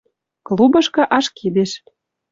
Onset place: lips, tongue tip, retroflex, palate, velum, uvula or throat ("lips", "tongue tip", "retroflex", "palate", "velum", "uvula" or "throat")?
velum